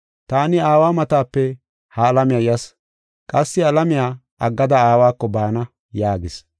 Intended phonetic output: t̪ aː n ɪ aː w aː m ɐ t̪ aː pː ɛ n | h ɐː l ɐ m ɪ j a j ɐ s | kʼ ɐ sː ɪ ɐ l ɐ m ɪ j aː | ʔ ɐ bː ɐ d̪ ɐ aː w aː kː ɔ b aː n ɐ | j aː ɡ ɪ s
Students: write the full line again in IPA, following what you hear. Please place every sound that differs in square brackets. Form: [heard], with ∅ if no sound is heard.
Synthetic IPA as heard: t̪ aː n ɪ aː w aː m ɐ t̪ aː pː ɛ [∅] | h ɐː l ɐ m ɪ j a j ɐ s | kʼ ɐ sː ɪ ɐ l ɐ m ɪ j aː | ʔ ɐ [ɡː] ɐ d̪ ɐ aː w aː kː ɔ b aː n ɐ | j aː ɡ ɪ s